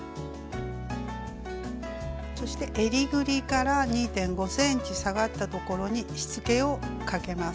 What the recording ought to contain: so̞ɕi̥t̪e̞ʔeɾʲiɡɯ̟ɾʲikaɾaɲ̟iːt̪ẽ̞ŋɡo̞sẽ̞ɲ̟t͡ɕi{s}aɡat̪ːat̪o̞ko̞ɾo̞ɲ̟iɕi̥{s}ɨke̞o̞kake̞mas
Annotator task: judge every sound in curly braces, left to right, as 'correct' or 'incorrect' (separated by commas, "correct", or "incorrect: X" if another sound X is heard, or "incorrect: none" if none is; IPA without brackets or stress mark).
correct, incorrect: t͡s